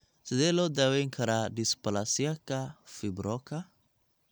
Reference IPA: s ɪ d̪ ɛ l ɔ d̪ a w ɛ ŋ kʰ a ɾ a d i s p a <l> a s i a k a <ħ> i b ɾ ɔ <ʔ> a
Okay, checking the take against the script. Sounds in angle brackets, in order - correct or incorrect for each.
correct, incorrect: f, incorrect: k

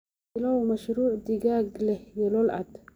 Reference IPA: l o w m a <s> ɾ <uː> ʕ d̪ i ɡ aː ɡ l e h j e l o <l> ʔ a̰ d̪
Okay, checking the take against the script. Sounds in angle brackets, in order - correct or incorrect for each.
incorrect: ʃ, correct, correct

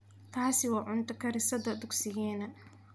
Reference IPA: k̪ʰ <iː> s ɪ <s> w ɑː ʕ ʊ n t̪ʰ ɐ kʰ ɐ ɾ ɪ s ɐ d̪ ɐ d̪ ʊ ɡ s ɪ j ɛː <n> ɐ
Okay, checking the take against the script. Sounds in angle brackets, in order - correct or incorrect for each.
incorrect: aː, incorrect: none, correct

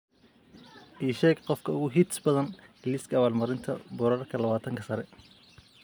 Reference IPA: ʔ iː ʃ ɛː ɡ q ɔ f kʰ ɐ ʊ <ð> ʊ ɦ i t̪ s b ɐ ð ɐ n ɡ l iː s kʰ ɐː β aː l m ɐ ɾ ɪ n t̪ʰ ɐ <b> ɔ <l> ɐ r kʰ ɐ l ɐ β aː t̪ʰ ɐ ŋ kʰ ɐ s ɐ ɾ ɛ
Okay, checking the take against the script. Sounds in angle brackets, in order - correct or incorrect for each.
incorrect: ɣ, correct, incorrect: ɾ

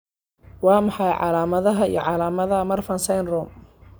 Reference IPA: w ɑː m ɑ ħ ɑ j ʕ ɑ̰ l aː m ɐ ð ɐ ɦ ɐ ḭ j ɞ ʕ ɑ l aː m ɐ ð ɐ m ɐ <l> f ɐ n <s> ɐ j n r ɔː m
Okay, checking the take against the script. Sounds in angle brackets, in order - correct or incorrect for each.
incorrect: r, correct

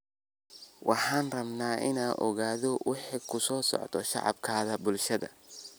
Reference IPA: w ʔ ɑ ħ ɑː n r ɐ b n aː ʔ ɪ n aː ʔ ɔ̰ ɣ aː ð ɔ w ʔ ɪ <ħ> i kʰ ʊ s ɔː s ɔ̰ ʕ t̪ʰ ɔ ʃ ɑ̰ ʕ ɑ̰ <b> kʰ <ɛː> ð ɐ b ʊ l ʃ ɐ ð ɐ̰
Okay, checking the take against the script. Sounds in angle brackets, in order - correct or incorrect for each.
correct, correct, incorrect: aː

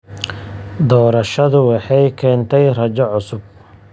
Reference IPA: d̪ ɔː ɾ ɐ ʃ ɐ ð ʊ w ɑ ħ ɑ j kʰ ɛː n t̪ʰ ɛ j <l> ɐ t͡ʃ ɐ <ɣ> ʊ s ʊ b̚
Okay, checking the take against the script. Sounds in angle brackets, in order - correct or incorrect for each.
incorrect: r, incorrect: ʕ

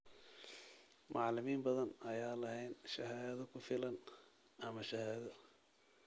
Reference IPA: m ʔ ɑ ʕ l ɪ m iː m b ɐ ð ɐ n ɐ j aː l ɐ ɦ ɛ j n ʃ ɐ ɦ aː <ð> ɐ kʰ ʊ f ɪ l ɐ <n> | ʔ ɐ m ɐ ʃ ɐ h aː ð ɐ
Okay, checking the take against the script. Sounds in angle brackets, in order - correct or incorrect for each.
correct, correct

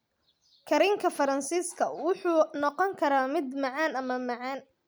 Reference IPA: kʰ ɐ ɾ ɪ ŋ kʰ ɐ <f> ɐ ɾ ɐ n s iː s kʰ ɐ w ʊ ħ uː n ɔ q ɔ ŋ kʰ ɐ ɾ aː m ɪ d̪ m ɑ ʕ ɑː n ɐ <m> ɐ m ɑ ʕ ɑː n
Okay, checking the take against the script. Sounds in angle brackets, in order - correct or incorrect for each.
correct, correct

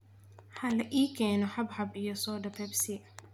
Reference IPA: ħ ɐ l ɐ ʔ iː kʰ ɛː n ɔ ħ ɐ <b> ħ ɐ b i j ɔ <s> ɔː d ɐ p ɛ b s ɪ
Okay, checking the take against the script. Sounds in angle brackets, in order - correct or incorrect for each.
correct, correct

